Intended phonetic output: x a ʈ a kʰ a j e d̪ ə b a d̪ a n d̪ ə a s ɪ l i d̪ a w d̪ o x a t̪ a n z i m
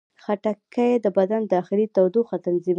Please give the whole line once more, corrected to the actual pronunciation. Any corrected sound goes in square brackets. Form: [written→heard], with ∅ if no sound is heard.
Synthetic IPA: x a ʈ a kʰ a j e d̪ ə b a d̪ a n d̪ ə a [s→x] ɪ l i [d̪→t̪] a w d̪ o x a t̪ a n z i m